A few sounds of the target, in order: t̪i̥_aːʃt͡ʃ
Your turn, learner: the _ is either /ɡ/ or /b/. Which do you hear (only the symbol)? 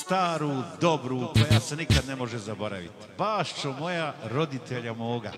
b